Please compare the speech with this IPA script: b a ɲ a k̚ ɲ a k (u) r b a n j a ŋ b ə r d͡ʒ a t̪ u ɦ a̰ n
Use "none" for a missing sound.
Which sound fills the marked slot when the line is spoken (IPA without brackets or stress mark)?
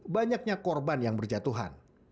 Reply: ɔ